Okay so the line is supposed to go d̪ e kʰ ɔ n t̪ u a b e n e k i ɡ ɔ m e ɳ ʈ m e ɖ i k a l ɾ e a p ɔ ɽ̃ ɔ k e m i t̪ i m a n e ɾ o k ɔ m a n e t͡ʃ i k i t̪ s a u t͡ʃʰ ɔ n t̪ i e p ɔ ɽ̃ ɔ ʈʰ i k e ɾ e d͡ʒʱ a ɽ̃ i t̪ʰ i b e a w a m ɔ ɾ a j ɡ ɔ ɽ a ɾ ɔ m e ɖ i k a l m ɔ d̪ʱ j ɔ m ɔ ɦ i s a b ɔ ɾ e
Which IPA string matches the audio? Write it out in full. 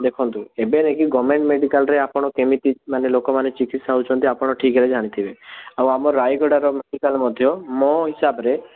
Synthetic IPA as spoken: d̪ e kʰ ɔ n t̪ u e b e n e k i ɡ ɔ m e ɳ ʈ m e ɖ i k a l ɾ e a p ɔ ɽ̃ ɔ k e m i t̪ i m a n e l o k ɔ m a n e t͡ʃ i k i t̪ s a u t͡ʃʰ ɔ n t̪ i a p ɔ ɽ̃ ɔ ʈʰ i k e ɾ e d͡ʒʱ a ɽ̃ i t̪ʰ i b e a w a m ɔ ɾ a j ɡ ɔ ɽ a ɾ ɔ m e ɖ i k a l m ɔ d̪ʱ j ɔ m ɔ ɦ i s a b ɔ ɾ e